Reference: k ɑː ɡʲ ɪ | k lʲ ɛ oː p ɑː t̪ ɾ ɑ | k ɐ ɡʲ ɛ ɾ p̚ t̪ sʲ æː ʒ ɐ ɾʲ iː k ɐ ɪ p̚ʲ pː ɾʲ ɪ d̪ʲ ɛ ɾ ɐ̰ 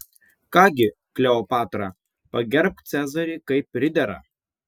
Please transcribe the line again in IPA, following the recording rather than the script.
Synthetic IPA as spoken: k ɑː ɡʲ ɪ | k lʲ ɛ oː p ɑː t̪ ɾ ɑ | p ɐ ɡʲ ɛ ɾ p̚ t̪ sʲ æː z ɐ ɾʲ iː k ɐ ɪ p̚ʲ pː ɾʲ ɪ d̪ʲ ɛ ɾ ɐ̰